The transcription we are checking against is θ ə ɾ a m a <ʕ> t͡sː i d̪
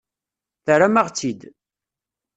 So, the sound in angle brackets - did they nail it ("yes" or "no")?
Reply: no